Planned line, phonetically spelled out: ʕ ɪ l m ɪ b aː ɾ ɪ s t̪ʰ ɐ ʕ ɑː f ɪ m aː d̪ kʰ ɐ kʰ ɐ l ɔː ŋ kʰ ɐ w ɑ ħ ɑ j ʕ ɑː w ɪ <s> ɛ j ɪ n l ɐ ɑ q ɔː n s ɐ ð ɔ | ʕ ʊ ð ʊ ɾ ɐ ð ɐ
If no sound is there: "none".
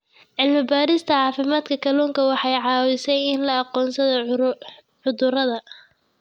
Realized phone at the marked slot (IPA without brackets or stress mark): s